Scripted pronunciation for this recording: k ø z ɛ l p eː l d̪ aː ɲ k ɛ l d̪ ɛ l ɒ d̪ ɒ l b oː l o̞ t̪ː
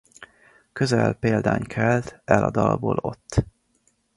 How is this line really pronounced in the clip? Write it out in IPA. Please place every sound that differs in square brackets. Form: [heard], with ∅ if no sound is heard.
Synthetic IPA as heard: k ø z ɛ l p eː l d̪ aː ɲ [kʰ] ɛ l [t̪] ɛ l ɒ d̪ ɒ l b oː l o̞ t̪ː